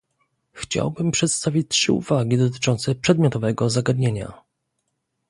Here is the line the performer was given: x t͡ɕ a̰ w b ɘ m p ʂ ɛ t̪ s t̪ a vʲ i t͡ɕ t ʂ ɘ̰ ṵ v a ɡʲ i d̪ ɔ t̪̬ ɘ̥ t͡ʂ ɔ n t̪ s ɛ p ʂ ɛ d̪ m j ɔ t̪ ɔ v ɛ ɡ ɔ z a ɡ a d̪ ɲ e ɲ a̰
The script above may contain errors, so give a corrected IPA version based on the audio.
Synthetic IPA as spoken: x t͡ɕ a̰ w b ɘ m p ʂ ɛ t̪ s t̪ a vʲ i t͡ɕ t ʂ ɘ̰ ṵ v a ɡʲ i d̪ ɔ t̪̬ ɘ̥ t͡ʂ ɔ n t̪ s ɛ p ʂ ɛ d̪ m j ɔ t̪ ɔ v ɛ ɡ ɔ z a ɡ a d̪ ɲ e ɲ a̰